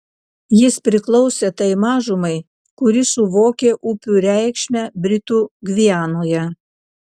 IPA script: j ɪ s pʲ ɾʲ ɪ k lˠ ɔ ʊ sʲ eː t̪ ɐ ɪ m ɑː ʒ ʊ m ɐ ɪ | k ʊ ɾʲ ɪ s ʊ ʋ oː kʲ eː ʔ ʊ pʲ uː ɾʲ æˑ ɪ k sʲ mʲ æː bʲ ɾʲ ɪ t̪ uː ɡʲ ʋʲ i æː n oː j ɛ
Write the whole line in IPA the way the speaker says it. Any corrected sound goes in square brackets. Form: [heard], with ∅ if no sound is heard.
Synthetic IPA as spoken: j ɪ s pʲ ɾʲ ɪ k lˠ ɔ ʊ sʲ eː t̪ ɐ ɪ m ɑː ʒ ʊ m ɐ ɪ | k ʊ ɾʲ ɪ s ʊ ʋ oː kʲ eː ʔ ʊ pʲ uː ɾʲ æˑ ɪ k [ʃʲ] mʲ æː bʲ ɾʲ ɪ t̪ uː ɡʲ ʋʲ i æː n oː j ɛ